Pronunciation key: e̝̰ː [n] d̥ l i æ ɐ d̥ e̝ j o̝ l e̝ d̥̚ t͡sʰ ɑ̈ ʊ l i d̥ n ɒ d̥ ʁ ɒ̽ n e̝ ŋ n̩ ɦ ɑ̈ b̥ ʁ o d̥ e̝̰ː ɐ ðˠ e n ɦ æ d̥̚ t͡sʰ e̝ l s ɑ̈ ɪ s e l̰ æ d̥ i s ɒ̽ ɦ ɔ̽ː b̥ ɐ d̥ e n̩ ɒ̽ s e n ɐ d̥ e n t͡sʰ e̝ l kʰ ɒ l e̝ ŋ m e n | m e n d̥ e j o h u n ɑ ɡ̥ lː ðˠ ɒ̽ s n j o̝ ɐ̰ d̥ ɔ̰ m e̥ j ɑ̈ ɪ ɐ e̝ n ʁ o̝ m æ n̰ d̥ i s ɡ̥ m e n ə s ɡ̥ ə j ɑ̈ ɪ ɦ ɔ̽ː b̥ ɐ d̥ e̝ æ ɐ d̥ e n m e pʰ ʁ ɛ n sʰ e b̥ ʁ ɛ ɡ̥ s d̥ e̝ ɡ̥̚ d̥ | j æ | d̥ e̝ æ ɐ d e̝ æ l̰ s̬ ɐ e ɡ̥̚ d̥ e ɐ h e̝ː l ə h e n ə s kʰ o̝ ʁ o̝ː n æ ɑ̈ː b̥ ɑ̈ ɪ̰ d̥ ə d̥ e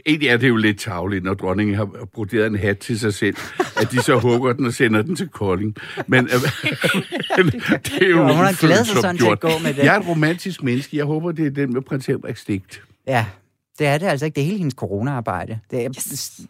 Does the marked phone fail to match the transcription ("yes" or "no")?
no